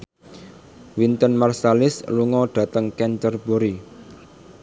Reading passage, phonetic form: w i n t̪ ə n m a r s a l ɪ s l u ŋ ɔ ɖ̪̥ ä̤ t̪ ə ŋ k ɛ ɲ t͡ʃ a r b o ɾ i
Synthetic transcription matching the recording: w i n t̪ ə n m a r s a l ɪ s l u ŋ ɔ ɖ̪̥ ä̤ t̪ ə ŋ k ɛ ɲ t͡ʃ ə r b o ɾ i